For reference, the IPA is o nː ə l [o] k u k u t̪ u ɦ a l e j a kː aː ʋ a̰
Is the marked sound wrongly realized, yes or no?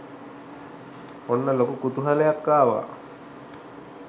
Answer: no